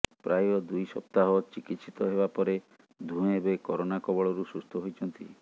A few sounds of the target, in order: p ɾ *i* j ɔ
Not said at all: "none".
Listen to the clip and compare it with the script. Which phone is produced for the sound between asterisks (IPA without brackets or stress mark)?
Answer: a